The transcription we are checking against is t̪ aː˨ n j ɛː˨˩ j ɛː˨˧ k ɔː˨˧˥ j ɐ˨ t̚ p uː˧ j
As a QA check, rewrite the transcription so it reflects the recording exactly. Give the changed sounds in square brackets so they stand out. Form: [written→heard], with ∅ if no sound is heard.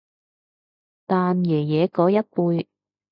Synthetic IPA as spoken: t̪ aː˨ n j ɛː˨˩ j ɛː˨˧ k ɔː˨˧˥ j [ɐ˨→ɐ˥] t̚ p uː˧ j